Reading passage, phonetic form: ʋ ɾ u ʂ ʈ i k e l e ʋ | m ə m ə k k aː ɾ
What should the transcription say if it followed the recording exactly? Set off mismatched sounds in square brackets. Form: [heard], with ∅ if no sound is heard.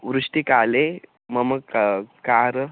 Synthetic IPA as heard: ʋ ɾ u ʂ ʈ i k [a] l e [∅] | m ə m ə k k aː ɾ